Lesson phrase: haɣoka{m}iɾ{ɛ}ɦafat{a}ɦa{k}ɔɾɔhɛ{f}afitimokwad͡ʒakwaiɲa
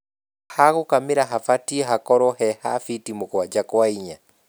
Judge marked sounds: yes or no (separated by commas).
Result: yes, no, no, yes, no